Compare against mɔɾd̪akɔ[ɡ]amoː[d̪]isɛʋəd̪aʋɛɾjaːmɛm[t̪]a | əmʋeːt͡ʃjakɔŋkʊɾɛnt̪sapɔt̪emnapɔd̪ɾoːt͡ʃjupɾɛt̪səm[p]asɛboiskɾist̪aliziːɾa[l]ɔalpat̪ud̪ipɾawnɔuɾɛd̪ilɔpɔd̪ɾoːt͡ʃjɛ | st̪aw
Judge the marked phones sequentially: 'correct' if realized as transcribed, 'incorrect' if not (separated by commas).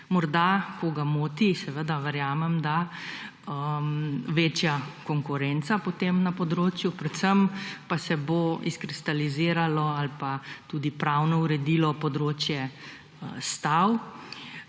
correct, incorrect, incorrect, correct, correct